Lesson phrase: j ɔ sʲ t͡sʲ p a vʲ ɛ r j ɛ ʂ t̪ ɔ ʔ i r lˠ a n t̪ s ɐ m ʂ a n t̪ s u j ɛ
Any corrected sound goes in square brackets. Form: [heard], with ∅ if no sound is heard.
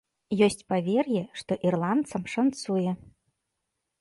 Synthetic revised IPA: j ɔ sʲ t͡sʲ p a vʲ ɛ r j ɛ ʂ t̪ ɔ ʔ i r lˠ a n t̪ s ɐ m ʂ a n t̪ s u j ɛ